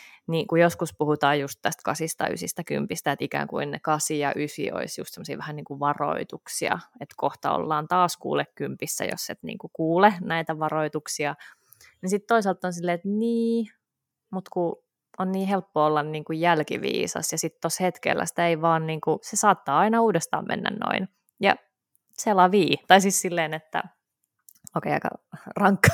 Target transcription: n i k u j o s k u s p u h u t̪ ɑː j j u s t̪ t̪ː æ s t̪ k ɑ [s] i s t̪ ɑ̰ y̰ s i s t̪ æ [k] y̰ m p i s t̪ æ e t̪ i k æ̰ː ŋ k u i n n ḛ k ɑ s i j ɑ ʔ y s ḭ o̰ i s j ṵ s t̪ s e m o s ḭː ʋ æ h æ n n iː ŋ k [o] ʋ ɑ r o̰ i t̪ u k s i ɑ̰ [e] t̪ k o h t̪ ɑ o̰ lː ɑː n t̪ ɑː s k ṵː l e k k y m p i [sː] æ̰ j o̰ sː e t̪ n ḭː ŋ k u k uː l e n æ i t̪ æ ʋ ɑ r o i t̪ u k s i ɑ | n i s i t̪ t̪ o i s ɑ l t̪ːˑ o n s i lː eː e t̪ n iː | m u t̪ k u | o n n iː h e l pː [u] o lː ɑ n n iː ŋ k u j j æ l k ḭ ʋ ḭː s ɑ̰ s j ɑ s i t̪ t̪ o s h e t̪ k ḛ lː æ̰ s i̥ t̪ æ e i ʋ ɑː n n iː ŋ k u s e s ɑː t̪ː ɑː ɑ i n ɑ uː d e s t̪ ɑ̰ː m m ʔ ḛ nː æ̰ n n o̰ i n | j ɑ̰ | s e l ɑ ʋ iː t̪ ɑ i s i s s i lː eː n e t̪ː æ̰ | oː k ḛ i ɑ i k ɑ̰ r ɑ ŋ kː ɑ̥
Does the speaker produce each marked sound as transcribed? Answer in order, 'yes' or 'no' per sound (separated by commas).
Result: yes, yes, no, yes, yes, no